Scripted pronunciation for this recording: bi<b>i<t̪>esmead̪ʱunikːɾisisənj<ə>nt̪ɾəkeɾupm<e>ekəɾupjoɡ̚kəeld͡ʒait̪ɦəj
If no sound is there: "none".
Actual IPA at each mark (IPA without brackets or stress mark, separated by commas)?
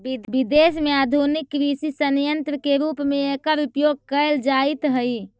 b, d̪, ə, e